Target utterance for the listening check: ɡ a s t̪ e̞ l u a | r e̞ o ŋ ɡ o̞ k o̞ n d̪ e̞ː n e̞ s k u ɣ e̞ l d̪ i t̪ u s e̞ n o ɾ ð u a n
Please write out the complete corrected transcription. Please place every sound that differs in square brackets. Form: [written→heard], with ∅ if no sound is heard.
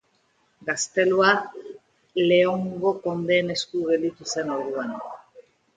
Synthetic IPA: ɡ a s t̪ e̞ l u a | [r→l] e̞ o ŋ ɡ o̞ k o̞ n d̪ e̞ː n e̞ s k u ɣ e̞ l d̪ i t̪ u s e̞ n o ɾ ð u a n